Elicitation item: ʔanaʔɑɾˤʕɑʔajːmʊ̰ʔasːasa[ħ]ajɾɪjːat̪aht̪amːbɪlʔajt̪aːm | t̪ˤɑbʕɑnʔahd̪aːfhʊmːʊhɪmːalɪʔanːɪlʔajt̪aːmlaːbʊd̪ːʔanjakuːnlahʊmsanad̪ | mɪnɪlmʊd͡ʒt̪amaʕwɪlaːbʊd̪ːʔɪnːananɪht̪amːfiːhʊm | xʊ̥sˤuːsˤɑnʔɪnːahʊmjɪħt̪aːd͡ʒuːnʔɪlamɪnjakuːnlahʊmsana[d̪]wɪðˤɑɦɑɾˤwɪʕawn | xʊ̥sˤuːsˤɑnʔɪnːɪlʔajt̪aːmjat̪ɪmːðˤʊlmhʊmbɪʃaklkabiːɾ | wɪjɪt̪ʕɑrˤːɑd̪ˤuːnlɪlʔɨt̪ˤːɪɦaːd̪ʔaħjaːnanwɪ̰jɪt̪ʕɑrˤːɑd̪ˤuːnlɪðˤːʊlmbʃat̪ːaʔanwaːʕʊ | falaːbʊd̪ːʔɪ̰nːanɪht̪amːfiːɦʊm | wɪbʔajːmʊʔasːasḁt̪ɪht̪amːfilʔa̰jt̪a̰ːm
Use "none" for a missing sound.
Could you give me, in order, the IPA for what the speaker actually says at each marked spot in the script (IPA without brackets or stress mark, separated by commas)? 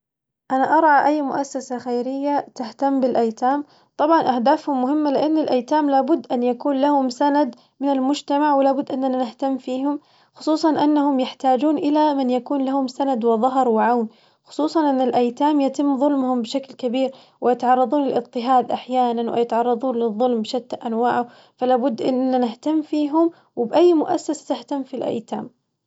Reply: x, d̪